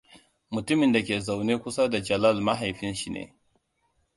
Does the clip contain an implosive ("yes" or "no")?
no